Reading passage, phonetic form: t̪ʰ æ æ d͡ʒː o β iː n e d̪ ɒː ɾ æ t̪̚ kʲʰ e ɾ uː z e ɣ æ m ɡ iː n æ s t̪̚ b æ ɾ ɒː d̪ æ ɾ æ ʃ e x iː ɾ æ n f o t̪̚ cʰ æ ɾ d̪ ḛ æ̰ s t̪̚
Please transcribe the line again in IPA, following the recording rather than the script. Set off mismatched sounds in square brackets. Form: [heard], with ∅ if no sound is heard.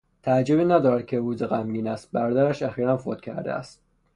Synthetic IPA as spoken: t̪ʰ æ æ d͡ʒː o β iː n [æ] d̪ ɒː ɾ æ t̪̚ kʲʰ e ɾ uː z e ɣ æ m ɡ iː n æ s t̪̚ b æ ɾ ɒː d̪ æ ɾ æ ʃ [æ] x iː ɾ æ n f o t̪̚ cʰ æ ɾ d̪ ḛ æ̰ s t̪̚